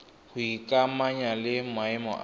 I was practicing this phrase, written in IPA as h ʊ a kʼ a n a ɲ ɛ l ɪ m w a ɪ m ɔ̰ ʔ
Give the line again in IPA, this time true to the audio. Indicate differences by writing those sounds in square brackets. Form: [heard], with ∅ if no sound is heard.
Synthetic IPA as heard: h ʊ [i] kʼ a [m] a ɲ [a] l ɪ m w a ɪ m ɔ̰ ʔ